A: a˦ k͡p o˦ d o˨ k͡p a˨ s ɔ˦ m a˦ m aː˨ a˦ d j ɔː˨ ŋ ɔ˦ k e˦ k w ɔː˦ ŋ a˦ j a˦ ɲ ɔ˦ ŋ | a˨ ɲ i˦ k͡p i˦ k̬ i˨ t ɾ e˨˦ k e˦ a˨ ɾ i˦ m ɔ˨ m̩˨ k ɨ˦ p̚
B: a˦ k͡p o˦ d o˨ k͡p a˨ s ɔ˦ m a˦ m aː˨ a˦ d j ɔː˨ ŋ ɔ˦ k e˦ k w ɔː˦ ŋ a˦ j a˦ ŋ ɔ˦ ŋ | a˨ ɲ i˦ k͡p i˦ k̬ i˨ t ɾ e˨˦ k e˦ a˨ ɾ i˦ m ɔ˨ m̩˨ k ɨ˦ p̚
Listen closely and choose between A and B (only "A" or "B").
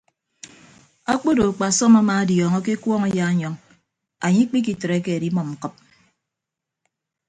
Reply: A